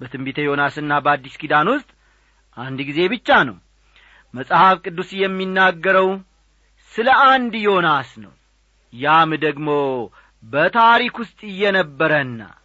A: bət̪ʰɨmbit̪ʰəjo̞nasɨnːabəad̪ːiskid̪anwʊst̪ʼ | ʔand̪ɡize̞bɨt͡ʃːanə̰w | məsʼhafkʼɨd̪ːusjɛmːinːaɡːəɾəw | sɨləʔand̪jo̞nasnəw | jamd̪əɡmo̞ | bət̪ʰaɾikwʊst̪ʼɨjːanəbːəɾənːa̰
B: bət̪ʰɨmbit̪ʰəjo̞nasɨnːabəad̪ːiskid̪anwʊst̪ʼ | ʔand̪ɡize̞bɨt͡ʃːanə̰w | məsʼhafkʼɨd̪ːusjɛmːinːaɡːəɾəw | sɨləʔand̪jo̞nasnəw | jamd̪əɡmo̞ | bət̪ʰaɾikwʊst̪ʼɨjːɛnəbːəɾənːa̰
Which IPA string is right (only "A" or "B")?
B